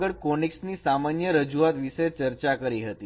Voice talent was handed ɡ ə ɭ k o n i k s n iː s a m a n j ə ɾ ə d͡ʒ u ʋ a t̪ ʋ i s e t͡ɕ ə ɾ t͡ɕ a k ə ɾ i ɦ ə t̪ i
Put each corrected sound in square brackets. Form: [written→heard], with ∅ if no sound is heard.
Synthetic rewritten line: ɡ ə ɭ k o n i k s n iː s a m a n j ə ɾ ə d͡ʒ u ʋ a t̪ ʋ i s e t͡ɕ ə ɾ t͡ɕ a k ə ɾ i ɦ ə t̪ i

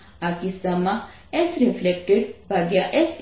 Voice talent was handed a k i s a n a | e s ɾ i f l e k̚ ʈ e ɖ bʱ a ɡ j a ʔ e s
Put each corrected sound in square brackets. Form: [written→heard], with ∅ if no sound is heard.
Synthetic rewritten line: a k i s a [n→m] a | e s ɾ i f l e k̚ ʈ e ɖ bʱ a ɡ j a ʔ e s

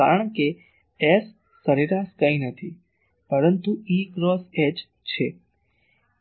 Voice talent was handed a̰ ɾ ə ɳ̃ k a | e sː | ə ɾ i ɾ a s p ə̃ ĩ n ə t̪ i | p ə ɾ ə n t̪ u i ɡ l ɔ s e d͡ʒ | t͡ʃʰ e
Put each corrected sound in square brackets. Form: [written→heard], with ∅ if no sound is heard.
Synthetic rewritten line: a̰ ɾ ə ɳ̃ k [a→e] | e sː | ə ɾ i ɾ a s [p→k] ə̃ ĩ n ə [t̪→t̪ʰ] i | p ə ɾ ə n t̪ u i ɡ [l→ɾ] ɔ s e d͡ʒ | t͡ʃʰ e

